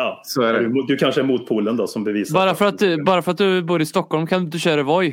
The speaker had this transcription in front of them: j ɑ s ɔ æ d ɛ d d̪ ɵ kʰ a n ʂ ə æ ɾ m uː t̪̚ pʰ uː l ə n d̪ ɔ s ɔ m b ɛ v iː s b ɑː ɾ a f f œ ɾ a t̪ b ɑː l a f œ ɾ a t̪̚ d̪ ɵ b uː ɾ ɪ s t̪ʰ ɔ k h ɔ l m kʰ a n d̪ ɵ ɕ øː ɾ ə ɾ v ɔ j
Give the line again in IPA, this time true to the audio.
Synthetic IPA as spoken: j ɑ s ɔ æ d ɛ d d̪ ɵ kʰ a n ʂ ə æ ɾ m uː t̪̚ pʰ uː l ə n d̪ ɔ s ɔ m b ɛ v iː s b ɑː ɾ a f f œ ɾ a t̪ b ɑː ɾ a f œ ɾ a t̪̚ d̪ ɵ b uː ɾ ɪ s t̪ ɔ k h ɔ l m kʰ a n d̪ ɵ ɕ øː ɾ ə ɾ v ɔ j